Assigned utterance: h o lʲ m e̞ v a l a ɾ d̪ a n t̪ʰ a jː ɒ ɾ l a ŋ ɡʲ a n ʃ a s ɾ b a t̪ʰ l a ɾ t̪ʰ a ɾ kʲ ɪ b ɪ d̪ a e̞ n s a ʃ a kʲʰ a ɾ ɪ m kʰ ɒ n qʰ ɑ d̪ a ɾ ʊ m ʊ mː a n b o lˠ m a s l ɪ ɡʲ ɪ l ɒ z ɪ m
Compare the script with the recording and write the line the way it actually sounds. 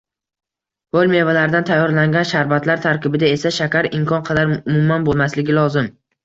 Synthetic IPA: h o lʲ m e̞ v a l a ɾ d̪ a n t̪ʰ a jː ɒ ɾ l a ŋ ɡʲ a n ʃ a ɾ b a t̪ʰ l a ɾ t̪ʰ a ɾ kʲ ɪ b ɪ d̪ a e̞ s a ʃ a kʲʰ a ɾ ɪ m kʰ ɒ n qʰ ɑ d̪ a ɾ ʊ m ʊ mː a n b o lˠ m a s l ɪ ɡʲ ɪ l ɒ z ɪ m

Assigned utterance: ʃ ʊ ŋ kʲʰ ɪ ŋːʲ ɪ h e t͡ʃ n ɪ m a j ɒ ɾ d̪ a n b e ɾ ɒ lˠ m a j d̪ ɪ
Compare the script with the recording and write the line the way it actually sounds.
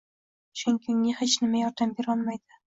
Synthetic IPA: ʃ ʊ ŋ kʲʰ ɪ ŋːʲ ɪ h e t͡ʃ n ɪ m a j ɒ ɾ d̪ a m b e ɾ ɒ lˠ m a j d̪ ɪ

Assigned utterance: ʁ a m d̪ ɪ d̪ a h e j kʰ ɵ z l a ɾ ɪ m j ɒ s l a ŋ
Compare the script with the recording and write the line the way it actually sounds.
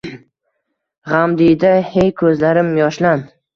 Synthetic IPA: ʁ a m d̪ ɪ d̪ a h e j kʰ ɵ z l a ɾ ɪ m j ɒ ʃ l a n

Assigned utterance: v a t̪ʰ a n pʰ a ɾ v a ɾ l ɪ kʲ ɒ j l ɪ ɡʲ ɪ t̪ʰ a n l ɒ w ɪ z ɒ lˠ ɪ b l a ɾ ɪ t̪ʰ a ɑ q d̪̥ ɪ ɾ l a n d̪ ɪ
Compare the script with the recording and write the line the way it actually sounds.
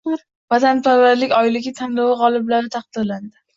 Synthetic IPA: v a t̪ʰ a n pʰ a ɾ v a ɾ l ɪ kʲ ɒ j l ɪ ɡʲ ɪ t̪ʰ a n l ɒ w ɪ ʁ ɒ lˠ ɪ b l a ɾ ɪ t̪ʰ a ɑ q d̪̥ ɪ ɾ l a n d̪ ɪ

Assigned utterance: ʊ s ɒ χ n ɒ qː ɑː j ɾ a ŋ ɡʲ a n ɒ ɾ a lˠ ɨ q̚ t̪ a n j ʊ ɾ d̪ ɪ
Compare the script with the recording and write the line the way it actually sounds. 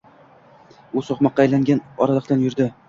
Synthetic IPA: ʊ s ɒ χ m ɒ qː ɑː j l a ŋ ɡʲ a n ɒ ɾ a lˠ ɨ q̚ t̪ a n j ʊ ɾ d̪ ɪ

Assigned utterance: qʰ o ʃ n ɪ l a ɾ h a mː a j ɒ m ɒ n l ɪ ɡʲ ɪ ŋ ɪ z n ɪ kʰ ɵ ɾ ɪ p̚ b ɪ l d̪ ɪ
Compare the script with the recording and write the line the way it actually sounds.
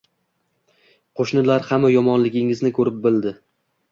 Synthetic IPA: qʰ o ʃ n ɪ l a ɾ h a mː a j ɒ m ɒ n l ɪ ɡʲ ɪ ŋ ɪ z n ɪ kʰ ɵ ɾ ɪ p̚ b ɪ l d̪ ɪ

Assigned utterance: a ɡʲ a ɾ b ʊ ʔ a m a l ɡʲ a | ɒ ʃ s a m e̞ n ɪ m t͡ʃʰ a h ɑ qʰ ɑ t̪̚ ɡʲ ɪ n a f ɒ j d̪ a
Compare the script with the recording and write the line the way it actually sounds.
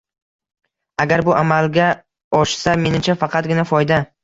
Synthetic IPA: a ɡʲ a ɾ b ʊ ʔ a m a l ɡʲ a | ɒ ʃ s a m e̞ n ɪ m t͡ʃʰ a f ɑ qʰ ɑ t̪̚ ɡʲ ɪ n a f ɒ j d̪ a

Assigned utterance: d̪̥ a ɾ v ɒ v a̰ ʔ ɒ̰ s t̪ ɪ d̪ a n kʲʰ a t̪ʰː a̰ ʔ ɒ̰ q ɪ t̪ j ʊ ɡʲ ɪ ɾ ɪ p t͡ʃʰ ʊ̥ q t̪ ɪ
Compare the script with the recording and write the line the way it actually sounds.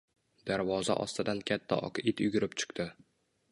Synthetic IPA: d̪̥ a ɾ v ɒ z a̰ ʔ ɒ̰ s t̪ ɪ d̪ a n kʲʰ a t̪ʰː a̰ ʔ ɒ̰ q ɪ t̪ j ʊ ɡʲ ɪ ɾ ɪ p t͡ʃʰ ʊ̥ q t̪ ɪ

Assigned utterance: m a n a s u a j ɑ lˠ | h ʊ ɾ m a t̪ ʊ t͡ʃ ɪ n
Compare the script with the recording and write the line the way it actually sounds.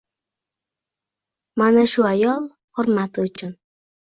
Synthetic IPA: m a n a ʃ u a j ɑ lˠ | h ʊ ɾ m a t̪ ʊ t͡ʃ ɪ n

